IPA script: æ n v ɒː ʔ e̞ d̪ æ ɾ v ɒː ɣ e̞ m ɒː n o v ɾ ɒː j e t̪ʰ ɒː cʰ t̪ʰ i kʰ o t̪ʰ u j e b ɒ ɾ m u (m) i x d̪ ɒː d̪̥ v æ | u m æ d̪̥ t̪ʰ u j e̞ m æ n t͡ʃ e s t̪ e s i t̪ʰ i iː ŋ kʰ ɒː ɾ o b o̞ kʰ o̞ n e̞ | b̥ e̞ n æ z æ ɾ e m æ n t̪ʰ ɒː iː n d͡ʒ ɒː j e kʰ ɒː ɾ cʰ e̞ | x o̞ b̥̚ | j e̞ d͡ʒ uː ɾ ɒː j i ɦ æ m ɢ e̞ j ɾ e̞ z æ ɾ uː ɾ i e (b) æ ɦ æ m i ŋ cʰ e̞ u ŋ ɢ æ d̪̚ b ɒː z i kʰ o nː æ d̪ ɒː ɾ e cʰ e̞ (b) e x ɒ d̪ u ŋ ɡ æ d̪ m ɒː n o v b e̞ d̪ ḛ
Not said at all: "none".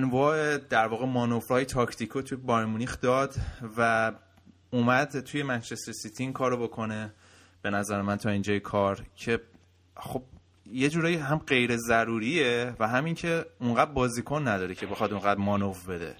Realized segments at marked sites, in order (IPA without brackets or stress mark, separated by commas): n, v, b